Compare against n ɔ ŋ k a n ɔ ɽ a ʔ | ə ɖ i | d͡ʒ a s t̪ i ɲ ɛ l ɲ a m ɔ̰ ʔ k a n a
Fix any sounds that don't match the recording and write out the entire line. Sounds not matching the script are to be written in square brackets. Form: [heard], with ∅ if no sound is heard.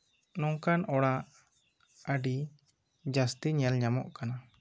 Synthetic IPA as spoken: n ɔ ŋ k a n ɔ ɽ a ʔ | ə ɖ i | d͡ʒ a s t̪ i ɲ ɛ l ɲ a m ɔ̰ ʔ k a n a

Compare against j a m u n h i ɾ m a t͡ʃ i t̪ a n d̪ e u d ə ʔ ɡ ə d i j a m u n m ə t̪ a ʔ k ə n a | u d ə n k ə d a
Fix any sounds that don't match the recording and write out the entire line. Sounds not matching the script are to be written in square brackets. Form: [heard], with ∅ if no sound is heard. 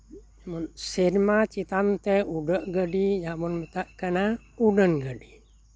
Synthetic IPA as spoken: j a m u n [s] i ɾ m a t͡ʃ i t̪ a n [t̪] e u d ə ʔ ɡ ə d i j a m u n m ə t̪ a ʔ k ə n a | u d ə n [ɡ] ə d [i]

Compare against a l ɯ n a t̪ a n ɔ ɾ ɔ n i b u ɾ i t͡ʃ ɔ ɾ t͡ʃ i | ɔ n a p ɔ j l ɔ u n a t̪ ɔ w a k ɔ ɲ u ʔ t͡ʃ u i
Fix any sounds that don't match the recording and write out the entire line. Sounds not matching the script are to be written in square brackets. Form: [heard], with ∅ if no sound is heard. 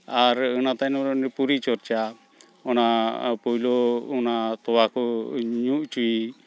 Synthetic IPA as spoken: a [ɾ] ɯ n a t̪ a n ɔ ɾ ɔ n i [p] u ɾ i t͡ʃ ɔ ɾ t͡ʃ [a] | ɔ n a p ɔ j l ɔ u n a t̪ ɔ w a k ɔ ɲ u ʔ t͡ʃ u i

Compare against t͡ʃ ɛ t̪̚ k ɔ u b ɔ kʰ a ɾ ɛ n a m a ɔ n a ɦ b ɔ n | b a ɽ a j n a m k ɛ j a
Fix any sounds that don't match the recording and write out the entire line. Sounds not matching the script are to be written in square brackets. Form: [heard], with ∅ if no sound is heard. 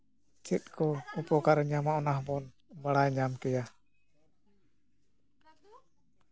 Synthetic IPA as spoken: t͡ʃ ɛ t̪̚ k ɔ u [p] ɔ [k] a ɾ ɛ [ɲ] a m a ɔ n a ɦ b ɔ n | b a ɽ a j [ɲ] a m k ɛ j a

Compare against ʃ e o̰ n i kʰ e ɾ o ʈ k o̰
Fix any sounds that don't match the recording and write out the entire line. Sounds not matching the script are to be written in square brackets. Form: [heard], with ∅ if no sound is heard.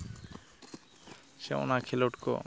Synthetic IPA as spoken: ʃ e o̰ n [a] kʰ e [l] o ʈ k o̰

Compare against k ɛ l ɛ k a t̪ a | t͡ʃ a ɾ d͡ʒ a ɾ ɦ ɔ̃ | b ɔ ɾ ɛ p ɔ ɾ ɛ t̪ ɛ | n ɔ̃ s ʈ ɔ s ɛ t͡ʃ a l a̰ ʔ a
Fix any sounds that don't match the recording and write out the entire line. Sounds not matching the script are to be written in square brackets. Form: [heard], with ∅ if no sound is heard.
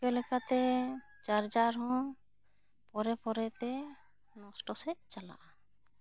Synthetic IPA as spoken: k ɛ l ɛ k a t̪ [ɛ] | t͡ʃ a ɾ d͡ʒ a ɾ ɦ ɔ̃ | [p] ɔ ɾ ɛ p ɔ ɾ ɛ t̪ ɛ | n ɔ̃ s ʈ ɔ s ɛ t͡ʃ a l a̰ ʔ a

